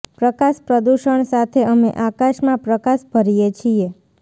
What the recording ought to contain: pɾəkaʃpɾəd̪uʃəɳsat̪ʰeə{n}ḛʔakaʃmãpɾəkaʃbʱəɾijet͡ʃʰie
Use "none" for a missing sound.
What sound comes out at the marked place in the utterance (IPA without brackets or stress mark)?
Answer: m